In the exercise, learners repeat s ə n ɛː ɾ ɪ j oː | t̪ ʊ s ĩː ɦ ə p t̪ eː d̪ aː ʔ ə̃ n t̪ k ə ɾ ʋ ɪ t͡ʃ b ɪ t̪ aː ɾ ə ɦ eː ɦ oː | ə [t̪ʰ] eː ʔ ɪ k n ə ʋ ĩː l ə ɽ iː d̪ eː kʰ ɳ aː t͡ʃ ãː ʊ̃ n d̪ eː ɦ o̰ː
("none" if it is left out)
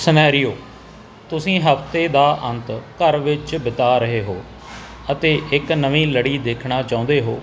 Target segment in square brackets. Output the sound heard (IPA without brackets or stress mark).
t̪